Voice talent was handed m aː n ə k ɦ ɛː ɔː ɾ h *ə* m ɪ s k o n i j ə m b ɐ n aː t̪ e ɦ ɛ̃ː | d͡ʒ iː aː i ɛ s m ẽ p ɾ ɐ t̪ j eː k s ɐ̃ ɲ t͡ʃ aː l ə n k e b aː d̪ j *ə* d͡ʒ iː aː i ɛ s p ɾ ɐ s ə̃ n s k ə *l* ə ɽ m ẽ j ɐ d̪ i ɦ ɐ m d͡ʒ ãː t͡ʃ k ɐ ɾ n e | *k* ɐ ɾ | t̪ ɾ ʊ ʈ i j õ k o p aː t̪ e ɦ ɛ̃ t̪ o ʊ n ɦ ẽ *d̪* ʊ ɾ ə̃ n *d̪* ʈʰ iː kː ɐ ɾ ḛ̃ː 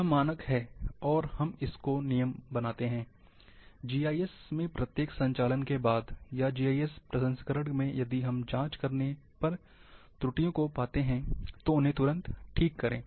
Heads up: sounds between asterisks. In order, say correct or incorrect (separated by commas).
incorrect, incorrect, incorrect, incorrect, incorrect, incorrect